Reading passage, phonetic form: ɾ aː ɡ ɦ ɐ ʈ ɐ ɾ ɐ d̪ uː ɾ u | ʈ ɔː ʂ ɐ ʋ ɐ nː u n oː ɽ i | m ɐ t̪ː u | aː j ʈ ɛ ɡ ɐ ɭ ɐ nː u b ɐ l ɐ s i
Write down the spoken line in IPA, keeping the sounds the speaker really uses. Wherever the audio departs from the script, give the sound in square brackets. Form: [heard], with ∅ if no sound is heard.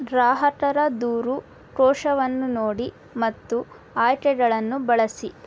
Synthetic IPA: ɾ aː [∅] ɦ ɐ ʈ ɐ ɾ ɐ d̪ uː ɾ u | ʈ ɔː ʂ ɐ ʋ ɐ nː u n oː ɽ i | m ɐ t̪ː u | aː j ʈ ɛ ɡ ɐ ɭ ɐ nː u b ɐ [ɭ] ɐ s i